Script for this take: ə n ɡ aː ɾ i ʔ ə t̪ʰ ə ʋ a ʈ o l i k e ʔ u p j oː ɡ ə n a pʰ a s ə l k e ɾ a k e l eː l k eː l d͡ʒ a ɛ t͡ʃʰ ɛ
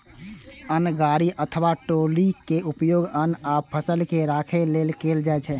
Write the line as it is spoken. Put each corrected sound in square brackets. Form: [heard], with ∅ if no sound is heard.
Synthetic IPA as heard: ə n ɡ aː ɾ i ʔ ə t̪ʰ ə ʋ a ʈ o l i k e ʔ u p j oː ɡ ə n a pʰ [ə] s ə l k e ɾ a [kʰ] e l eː l k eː l d͡ʒ a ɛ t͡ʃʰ ɛ